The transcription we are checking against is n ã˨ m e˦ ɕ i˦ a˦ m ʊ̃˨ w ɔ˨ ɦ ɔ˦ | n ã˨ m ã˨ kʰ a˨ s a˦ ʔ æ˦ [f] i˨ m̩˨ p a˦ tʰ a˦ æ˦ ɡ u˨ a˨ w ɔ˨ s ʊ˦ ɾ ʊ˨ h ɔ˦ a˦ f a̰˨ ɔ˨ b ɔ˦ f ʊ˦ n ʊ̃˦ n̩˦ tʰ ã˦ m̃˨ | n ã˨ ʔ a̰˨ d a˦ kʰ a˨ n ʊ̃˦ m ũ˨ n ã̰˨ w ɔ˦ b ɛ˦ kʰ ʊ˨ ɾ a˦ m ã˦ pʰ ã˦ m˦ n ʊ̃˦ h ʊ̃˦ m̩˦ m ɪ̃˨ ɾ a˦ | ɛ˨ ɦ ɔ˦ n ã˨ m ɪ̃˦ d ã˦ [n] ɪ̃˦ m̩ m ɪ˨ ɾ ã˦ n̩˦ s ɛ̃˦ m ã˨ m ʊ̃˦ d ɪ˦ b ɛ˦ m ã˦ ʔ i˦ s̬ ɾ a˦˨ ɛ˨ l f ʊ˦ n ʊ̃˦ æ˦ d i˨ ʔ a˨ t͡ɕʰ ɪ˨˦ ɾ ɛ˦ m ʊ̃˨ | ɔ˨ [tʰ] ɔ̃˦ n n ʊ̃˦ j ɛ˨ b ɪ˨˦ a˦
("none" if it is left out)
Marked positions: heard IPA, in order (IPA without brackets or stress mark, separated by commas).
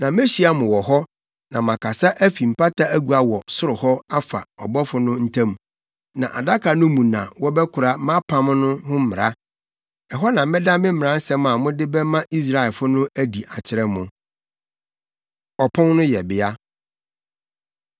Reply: f, m, pʰ